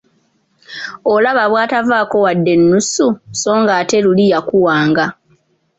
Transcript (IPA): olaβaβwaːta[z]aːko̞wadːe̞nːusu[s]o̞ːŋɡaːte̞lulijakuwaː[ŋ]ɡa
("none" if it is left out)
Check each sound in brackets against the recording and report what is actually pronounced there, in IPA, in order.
v, s, ŋ

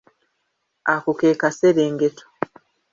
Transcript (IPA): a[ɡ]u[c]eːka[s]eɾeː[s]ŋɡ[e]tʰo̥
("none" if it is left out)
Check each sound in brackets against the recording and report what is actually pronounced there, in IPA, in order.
k, k, s, none, e

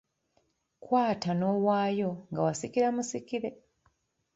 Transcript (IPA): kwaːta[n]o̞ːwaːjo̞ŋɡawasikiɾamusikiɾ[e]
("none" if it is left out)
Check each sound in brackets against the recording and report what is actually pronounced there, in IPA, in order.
n, e

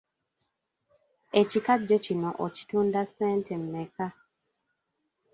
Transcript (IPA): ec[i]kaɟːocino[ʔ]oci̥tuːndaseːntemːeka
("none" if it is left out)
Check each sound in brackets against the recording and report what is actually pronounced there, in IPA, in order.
i, ʔ

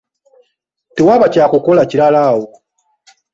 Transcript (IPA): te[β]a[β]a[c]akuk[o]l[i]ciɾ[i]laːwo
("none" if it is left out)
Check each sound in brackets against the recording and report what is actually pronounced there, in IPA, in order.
w, β, c, o, a, a

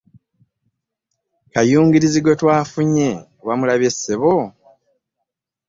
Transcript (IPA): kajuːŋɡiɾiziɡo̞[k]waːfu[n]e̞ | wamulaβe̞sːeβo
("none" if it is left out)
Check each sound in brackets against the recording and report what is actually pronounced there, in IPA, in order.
t, ɲ

